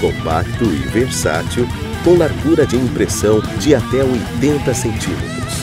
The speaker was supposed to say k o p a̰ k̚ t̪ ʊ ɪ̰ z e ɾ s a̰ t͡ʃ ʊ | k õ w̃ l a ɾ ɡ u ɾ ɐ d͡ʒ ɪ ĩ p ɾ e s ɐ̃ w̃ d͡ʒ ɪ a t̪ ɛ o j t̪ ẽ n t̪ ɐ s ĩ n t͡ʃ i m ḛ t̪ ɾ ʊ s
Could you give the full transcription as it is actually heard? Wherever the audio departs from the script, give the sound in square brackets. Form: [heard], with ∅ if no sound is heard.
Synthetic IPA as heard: k [õ] p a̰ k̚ t̪ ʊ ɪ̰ [v] e ɾ s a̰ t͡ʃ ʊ | k õ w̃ l a ɾ ɡ u ɾ ɐ d͡ʒ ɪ ĩ p ɾ e s ɐ̃ w̃ d͡ʒ ɪ a t̪ ɛ o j t̪ ẽ n t̪ ɐ s [ẽ] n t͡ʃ i m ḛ t̪ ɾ ʊ s